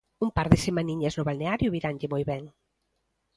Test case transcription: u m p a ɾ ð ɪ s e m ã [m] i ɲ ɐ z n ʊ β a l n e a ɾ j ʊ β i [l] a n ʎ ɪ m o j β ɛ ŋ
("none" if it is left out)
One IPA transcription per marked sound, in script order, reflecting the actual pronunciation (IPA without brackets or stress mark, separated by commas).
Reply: n, ɾ